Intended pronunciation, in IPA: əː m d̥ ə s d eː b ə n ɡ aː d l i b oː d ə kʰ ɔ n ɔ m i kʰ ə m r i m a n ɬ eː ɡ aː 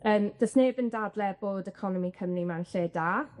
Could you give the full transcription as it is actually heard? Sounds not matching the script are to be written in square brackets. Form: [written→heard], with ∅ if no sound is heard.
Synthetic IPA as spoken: əː m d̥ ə s [d→n] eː b ə n [ɡ→d] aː d l [i→ɛ] b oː d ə kʰ ɔ n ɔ m i kʰ ə m r i m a n ɬ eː [ɡ→d] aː